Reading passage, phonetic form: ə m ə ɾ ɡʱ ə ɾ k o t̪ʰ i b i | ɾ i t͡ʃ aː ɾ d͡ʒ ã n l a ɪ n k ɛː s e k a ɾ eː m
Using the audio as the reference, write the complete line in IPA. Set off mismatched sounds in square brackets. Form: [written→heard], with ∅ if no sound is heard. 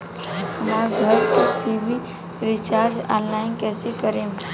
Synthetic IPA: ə m [ə→a] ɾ ɡʱ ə ɾ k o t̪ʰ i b i | ɾ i t͡ʃ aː ɾ d͡ʒ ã n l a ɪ n k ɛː s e k [a→ə] ɾ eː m

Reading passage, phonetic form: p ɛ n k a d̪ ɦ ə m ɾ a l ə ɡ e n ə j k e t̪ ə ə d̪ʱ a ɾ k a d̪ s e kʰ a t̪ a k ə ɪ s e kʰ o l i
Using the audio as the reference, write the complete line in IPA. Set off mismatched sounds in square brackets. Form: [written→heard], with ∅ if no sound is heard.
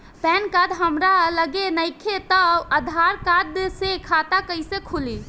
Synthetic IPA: p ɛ n k a d̪ ɦ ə m ɾ a l ə ɡ e n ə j [k→kʰ] e t̪ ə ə d̪ʱ a ɾ k a d̪ s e kʰ a t̪ a k ə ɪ s e kʰ [o→u] l i

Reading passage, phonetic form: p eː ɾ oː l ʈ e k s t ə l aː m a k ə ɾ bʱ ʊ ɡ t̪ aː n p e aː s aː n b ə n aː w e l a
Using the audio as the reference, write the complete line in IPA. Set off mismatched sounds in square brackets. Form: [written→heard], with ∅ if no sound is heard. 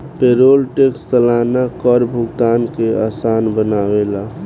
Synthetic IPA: p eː ɾ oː l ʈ e k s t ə l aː [m→n] a k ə ɾ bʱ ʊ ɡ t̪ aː n [p→k] e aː s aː n b ə n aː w e l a

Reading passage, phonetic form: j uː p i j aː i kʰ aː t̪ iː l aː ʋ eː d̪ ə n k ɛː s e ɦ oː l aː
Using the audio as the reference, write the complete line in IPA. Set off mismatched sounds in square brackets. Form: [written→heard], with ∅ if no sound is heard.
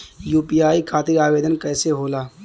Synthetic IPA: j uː p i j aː i kʰ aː t̪ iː [l→ɾ] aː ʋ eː d̪ ə n k ɛː s e ɦ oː l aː

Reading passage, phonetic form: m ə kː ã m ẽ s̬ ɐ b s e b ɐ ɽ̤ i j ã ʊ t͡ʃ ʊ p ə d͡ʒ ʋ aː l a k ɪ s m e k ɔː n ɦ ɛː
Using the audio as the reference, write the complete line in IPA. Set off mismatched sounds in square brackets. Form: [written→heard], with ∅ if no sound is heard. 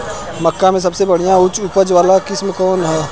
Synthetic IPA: m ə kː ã m ẽ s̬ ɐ b s e b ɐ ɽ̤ i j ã ʊ t͡ʃ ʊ p ə d͡ʒ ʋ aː l a k ɪ s m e k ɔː n ɦ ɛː

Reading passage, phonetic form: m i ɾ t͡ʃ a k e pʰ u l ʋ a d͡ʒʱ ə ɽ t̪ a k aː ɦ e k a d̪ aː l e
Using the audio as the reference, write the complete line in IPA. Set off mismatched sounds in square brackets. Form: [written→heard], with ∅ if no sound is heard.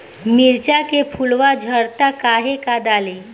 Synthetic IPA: m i ɾ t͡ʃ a k e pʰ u l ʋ a d͡ʒʱ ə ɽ t̪ a k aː ɦ e k a d̪ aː l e

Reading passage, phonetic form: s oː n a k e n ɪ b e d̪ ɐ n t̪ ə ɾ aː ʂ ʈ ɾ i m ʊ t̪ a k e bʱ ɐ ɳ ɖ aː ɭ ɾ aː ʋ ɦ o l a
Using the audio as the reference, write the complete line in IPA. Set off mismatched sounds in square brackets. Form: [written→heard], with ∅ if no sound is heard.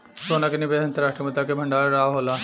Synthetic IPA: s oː n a k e n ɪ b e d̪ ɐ n t̪ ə ɾ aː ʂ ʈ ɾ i m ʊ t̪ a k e bʱ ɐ ɳ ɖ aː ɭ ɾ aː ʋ ɦ o l a

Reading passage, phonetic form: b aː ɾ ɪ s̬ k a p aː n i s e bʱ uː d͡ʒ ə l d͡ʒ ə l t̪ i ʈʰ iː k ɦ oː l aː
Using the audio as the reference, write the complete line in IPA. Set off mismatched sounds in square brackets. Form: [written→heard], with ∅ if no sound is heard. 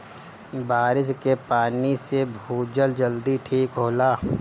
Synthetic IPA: b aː ɾ ɪ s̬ k [a→e] p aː n i s e bʱ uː d͡ʒ ə l d͡ʒ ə l [t̪→d̪] i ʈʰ iː k ɦ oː l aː

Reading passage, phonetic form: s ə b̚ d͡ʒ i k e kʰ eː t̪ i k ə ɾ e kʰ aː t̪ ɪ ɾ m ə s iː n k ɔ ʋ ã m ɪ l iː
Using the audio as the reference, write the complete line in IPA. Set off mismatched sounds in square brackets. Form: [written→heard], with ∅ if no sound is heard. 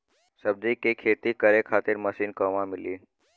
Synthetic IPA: s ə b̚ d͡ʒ i k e kʰ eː t̪ i k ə ɾ e kʰ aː t̪ ɪ ɾ m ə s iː n k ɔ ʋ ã m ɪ l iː

